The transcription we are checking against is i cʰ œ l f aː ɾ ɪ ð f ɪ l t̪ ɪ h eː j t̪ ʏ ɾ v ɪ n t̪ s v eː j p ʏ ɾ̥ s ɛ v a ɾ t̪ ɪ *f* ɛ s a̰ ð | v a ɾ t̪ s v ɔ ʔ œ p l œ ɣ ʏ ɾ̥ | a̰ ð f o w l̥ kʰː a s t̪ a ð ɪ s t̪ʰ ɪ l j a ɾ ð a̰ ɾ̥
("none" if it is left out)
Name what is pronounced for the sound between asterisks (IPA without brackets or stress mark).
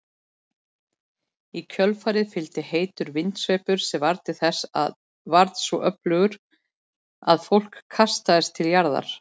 θ